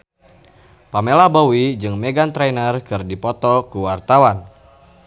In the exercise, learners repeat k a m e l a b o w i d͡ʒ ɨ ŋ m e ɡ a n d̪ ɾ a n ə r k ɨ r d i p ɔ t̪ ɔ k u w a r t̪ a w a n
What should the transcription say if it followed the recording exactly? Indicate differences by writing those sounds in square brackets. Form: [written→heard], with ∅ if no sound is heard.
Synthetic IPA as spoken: [k→p] a m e l a b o w i d͡ʒ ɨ ŋ m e ɡ a n [d̪→t̪] ɾ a n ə r k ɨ r d i p ɔ t̪ ɔ k u w a r t̪ a w a n